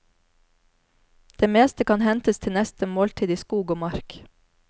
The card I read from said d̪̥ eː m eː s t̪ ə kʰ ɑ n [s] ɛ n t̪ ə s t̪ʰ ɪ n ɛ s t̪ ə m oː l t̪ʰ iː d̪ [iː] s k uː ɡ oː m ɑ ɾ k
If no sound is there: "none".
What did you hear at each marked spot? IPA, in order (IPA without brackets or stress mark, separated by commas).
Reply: h, iː